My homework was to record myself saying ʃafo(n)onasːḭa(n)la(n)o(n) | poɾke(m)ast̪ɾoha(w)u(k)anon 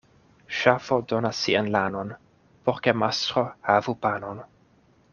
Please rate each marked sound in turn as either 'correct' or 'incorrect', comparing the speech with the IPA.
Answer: incorrect: d, correct, correct, correct, correct, incorrect: v, incorrect: p

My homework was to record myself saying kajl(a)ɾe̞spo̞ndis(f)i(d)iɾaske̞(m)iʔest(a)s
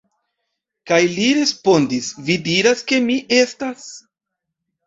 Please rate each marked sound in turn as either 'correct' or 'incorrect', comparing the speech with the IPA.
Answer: incorrect: i, incorrect: v, correct, correct, correct

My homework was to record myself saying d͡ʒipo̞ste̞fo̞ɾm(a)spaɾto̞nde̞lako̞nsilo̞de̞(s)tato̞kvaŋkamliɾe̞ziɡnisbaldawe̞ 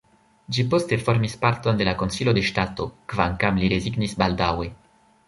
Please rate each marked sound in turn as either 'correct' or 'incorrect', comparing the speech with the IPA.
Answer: incorrect: i, incorrect: ʃ

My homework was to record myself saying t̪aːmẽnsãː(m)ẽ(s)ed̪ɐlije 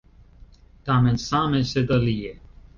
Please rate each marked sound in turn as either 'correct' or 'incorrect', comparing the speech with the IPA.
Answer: correct, correct

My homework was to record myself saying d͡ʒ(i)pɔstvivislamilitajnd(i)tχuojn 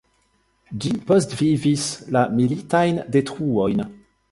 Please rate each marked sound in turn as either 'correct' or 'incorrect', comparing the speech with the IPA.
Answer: correct, incorrect: e

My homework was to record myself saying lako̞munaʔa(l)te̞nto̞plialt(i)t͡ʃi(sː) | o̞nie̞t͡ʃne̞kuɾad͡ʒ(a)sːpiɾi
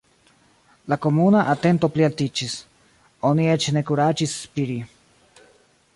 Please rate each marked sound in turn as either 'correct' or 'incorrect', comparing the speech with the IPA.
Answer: incorrect: none, correct, incorrect: s, incorrect: i

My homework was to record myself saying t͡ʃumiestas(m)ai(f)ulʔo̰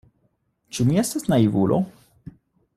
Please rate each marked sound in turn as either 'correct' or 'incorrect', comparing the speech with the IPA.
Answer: incorrect: n, incorrect: v

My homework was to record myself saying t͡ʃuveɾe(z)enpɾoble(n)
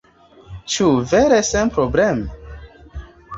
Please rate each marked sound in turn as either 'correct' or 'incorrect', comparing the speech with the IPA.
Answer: incorrect: s, incorrect: m

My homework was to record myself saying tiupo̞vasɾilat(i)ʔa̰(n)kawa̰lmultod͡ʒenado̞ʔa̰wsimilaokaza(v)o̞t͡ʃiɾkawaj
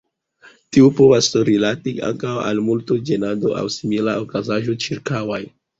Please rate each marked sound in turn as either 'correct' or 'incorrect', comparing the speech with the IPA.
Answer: correct, incorrect: ŋ, incorrect: ʒ

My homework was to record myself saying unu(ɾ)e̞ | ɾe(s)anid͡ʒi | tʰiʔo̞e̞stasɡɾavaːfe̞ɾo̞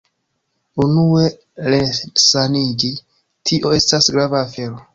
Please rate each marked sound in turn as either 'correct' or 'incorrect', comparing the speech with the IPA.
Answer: incorrect: none, correct

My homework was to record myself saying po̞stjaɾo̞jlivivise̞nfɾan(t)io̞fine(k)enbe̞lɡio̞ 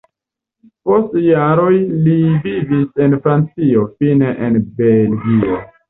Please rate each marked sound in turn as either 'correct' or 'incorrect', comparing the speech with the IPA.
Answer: incorrect: t͡s, incorrect: ʔ

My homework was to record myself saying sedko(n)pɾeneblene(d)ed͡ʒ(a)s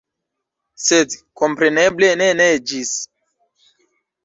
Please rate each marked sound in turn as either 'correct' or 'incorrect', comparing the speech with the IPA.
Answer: incorrect: m, incorrect: n, incorrect: i

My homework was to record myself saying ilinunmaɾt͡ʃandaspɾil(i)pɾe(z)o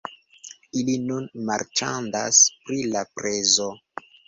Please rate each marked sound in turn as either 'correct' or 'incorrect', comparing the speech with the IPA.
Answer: incorrect: a, correct

